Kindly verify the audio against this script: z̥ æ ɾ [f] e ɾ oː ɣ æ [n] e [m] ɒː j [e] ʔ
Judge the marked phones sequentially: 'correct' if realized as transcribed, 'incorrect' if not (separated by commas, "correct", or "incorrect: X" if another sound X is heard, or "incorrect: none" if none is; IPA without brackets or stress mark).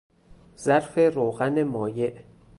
correct, correct, correct, correct